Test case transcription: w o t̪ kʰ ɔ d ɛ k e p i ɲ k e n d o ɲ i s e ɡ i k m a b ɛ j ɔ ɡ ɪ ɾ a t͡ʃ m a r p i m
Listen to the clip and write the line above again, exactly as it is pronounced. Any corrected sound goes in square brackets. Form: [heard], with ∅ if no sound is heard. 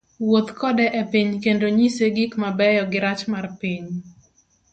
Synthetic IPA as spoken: w o t̪ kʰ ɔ d ɛ [ʔ] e p i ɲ k e n d o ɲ i s e ɡ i k m a b ɛ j ɔ ɡ ɪ ɾ a t͡ʃ m a r p i [ɲ]